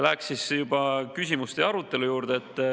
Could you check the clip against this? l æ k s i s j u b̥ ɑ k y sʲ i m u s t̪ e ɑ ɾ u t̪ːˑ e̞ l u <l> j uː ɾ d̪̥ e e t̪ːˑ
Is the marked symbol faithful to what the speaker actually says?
no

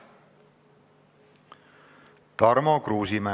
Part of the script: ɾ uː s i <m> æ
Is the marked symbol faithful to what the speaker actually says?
yes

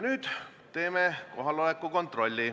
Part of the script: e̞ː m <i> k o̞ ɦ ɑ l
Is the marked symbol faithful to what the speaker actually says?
no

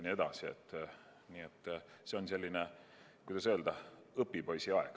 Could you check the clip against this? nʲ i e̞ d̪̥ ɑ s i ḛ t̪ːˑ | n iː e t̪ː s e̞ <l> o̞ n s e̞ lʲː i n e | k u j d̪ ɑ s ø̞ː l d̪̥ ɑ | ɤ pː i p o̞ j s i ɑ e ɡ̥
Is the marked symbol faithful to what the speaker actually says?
no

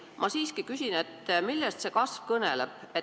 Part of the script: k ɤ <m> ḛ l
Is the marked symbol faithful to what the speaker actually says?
no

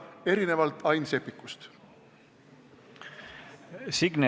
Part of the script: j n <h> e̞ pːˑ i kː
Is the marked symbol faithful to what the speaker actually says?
no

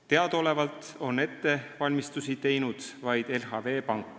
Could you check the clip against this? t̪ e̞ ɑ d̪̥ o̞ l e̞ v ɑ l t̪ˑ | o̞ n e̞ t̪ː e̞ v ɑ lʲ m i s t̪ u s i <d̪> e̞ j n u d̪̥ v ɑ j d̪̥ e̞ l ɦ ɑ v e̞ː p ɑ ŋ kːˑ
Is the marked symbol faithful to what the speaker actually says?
no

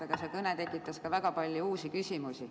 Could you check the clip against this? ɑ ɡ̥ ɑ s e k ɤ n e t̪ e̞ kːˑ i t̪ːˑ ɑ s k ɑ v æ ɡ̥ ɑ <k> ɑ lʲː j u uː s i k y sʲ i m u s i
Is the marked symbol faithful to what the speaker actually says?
no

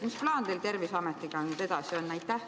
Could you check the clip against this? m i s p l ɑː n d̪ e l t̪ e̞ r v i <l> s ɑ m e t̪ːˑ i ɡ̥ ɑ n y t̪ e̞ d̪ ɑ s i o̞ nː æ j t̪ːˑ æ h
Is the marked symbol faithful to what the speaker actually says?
no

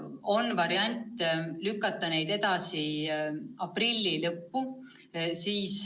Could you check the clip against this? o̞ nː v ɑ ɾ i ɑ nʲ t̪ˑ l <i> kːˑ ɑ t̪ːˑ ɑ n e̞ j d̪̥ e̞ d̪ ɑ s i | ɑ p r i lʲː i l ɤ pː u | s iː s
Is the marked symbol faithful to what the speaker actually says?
no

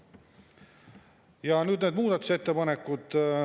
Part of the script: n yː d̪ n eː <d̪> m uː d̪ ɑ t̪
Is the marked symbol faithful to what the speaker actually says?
yes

